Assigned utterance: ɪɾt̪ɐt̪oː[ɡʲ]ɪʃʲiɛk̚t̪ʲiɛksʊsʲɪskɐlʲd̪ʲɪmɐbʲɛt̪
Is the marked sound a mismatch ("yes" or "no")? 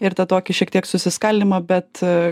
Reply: yes